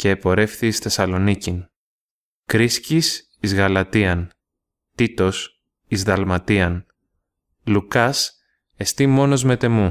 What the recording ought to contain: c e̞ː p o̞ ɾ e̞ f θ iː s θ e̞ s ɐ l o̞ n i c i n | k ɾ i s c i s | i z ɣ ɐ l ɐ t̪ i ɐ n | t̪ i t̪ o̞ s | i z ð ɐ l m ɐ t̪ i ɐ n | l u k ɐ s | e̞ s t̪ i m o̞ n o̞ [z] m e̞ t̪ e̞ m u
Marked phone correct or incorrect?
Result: correct